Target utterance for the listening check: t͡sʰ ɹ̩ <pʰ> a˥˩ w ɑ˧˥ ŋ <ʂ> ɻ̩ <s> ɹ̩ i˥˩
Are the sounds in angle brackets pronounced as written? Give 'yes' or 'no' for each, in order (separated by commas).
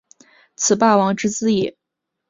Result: no, no, no